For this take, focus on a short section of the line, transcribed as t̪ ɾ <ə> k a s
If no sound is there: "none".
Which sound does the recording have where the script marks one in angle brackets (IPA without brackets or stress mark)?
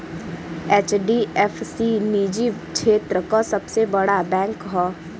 ə